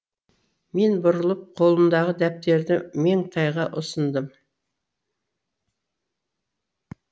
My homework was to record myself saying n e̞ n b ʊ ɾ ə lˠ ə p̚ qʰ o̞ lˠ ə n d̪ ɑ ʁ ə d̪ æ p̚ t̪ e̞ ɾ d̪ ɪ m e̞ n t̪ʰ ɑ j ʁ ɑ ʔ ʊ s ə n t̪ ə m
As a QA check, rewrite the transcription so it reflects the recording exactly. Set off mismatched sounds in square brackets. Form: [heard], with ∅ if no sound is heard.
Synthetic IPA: [m] e̞ n b ʊ ɾ ə lˠ ə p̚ qʰ o̞ lˠ ə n d̪ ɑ ʁ ə d̪ æ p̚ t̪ e̞ ɾ d̪ ɪ m e̞ [ŋ] t̪ʰ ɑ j ʁ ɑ ʔ ʊ s ə n [d̪] ə m